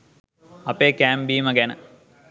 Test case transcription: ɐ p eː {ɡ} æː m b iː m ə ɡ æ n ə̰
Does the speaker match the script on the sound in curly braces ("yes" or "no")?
no